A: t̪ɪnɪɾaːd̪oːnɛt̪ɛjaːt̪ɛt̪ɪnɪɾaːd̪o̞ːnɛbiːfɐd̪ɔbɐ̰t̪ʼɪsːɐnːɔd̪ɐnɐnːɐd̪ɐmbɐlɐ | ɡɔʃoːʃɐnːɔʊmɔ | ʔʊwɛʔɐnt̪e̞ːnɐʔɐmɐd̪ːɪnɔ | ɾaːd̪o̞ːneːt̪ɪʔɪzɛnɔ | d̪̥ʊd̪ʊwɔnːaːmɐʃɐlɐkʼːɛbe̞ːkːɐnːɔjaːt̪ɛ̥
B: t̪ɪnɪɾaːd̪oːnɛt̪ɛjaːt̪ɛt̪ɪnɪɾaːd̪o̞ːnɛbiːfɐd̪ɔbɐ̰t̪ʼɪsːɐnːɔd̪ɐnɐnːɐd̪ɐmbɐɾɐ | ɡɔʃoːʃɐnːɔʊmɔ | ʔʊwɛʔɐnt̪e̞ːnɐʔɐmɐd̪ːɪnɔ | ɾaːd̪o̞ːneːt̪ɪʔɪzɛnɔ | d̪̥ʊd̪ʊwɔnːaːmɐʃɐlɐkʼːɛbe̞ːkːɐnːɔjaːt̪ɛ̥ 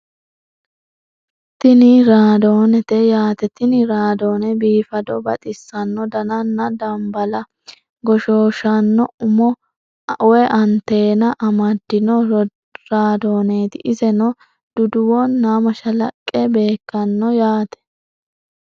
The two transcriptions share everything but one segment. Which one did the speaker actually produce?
A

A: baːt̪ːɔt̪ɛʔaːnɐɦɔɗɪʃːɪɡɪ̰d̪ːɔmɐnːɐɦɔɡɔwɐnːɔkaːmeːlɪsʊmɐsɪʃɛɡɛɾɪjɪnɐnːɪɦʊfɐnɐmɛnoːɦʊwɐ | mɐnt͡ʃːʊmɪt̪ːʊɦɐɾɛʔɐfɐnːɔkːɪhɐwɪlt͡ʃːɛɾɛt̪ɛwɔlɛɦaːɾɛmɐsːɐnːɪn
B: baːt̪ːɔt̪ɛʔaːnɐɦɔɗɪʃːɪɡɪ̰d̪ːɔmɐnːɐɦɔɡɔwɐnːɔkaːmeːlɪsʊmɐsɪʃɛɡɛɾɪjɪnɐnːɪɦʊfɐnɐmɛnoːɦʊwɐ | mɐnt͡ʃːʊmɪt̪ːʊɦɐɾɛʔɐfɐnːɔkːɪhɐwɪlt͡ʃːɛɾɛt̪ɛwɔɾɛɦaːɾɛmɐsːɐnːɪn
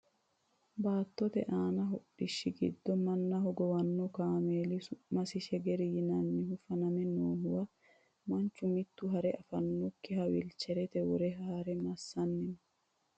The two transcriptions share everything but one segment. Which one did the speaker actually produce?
B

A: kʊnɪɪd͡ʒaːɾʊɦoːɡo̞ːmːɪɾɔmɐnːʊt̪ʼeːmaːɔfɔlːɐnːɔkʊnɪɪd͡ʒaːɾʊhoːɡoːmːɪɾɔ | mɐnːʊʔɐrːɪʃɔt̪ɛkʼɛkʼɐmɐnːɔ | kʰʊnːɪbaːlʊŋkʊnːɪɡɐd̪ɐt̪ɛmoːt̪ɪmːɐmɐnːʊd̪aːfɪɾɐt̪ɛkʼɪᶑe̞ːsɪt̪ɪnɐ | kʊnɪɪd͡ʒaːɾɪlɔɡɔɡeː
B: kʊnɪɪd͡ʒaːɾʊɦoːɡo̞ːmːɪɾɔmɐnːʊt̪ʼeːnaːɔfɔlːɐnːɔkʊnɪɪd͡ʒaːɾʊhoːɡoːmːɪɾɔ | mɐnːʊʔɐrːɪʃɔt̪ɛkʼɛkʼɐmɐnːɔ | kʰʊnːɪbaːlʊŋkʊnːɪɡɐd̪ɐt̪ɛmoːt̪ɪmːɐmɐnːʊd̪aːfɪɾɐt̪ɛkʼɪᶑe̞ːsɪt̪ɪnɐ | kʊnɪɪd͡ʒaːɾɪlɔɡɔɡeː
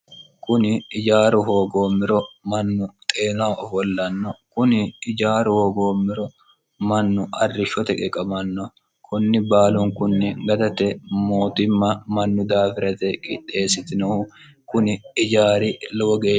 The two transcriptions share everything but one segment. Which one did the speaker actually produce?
B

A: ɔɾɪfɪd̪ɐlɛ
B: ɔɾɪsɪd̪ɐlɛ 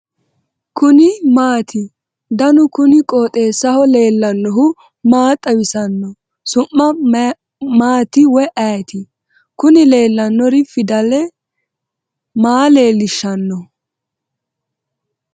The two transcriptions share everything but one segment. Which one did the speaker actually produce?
A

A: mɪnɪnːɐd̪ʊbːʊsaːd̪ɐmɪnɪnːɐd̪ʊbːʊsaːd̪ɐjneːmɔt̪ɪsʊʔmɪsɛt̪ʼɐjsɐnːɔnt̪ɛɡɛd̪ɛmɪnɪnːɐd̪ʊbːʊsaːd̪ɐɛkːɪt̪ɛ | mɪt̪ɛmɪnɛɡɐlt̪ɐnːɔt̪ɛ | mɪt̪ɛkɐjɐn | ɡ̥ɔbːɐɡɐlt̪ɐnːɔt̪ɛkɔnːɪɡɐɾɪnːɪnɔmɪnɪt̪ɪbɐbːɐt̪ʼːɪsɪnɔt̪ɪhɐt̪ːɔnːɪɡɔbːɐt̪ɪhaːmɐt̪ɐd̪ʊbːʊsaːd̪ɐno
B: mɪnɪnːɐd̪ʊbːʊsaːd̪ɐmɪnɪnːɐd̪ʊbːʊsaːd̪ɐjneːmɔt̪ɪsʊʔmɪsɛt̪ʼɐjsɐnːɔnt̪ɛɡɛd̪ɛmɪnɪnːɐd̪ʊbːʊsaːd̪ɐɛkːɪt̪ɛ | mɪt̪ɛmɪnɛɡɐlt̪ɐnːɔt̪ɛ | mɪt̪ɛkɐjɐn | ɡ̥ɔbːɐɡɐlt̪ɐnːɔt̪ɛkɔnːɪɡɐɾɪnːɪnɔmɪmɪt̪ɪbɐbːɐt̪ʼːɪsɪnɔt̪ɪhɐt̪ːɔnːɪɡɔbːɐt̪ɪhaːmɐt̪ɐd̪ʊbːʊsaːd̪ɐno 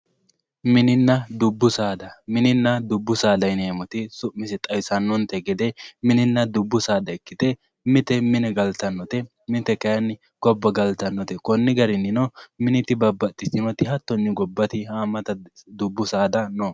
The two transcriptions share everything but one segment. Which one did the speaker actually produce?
A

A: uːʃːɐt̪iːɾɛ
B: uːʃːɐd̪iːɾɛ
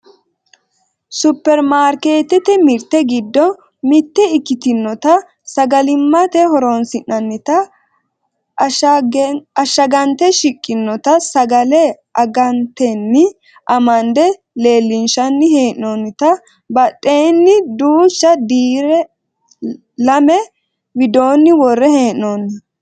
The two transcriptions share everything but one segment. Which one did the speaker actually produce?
B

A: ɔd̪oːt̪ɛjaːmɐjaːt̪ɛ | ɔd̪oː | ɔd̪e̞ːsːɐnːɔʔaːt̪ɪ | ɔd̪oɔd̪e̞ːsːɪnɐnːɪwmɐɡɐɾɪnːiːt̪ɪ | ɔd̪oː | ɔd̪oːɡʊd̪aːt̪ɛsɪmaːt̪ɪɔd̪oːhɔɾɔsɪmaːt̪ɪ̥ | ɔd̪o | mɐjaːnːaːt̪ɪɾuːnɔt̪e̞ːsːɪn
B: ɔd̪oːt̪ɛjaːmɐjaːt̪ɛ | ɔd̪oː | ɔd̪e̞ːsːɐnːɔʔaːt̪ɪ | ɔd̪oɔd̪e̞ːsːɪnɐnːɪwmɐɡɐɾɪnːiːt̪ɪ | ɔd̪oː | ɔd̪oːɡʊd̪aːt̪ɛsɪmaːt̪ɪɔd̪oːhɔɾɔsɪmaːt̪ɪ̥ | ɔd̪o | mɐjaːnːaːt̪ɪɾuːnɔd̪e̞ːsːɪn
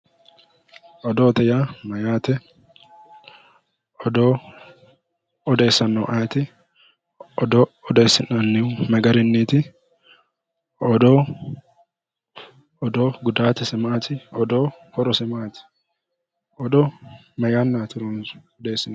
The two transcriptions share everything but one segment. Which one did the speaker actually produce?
B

